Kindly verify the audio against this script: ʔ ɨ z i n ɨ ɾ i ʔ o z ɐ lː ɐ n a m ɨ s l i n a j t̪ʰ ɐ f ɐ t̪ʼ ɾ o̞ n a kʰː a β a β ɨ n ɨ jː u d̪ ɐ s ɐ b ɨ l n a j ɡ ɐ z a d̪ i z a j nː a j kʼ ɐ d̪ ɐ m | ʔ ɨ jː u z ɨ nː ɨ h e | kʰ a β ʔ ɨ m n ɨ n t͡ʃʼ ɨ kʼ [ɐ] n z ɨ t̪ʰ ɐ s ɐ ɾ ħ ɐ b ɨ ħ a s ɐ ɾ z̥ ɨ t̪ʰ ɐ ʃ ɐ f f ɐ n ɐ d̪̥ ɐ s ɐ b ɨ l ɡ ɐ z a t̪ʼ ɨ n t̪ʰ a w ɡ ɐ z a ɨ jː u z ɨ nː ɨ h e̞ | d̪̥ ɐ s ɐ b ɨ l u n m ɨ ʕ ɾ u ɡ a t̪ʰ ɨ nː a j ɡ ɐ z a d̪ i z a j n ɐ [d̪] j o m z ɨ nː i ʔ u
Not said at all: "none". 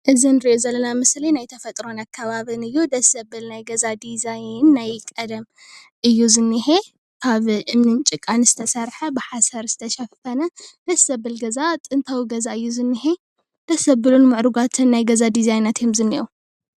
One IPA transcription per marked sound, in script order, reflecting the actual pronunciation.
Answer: a, t̪

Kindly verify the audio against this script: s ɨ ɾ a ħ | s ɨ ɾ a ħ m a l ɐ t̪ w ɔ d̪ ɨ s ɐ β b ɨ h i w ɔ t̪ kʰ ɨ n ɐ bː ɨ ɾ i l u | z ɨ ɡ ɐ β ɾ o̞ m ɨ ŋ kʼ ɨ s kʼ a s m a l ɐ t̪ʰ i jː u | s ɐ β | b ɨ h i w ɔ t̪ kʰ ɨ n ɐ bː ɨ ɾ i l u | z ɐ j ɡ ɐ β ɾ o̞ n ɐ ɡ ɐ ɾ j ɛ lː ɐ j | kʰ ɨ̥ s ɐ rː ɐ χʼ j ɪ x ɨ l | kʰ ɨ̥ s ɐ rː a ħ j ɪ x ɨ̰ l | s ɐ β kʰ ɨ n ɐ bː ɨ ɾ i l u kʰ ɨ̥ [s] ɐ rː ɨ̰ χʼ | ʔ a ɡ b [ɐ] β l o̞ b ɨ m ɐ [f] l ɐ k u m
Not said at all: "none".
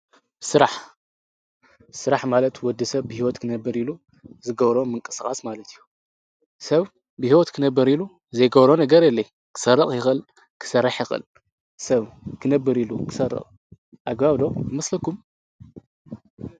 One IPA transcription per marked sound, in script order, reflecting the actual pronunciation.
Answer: s, a, s

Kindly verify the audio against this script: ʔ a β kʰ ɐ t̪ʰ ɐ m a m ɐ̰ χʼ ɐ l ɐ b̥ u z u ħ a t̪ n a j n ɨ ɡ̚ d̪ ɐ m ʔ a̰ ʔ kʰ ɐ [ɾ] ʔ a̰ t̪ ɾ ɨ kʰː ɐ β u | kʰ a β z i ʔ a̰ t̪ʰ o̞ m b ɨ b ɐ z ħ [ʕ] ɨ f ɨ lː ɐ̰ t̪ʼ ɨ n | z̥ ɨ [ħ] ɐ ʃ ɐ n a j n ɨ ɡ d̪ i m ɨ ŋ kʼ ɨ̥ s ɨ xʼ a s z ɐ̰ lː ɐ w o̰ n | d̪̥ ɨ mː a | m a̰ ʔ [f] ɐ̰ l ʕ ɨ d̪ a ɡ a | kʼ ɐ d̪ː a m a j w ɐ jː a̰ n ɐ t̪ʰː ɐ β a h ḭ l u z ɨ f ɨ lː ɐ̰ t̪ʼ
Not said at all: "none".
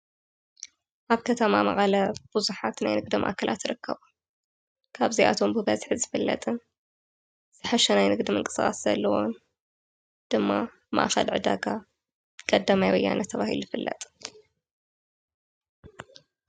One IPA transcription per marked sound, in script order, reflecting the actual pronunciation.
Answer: l, z, ħ, x

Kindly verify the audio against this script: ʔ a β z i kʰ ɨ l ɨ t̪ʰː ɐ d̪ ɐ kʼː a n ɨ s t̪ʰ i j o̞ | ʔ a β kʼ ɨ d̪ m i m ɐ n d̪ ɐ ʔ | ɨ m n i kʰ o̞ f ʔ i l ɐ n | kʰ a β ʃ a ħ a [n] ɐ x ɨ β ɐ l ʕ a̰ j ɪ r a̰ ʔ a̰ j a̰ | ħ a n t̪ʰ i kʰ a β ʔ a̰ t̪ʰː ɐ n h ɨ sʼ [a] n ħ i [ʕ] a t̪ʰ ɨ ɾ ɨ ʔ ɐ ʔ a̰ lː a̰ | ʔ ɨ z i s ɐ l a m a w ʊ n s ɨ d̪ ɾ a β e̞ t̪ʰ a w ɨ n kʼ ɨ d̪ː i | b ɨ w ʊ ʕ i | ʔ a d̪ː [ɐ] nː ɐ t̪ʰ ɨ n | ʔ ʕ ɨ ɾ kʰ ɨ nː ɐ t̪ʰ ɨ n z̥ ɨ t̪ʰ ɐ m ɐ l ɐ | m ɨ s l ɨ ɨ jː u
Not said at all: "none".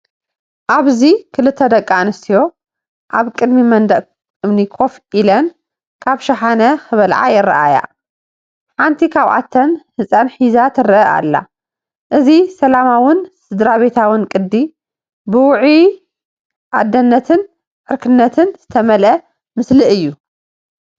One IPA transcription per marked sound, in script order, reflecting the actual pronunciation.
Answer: n, a, z, ɐ

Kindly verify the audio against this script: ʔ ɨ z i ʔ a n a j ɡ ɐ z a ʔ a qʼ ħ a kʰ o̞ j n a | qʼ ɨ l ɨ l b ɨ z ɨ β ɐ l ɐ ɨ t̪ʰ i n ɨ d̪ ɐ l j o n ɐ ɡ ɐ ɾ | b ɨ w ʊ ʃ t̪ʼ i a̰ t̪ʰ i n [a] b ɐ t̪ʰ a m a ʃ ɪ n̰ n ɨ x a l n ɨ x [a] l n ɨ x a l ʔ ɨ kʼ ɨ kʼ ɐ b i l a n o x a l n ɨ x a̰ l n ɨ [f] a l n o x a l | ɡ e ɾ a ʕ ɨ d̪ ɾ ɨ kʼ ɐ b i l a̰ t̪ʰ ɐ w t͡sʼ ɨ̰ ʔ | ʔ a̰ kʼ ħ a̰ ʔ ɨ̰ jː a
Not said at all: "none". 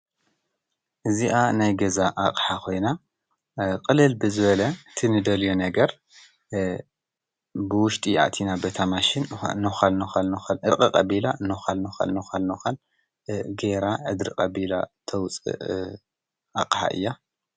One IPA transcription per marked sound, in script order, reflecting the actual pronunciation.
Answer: a, a, x

